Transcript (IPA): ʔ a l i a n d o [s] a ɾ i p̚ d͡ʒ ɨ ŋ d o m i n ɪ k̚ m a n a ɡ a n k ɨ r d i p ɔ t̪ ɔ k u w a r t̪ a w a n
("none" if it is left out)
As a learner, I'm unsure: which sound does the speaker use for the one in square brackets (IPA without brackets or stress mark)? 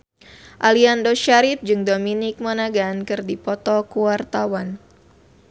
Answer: ʃ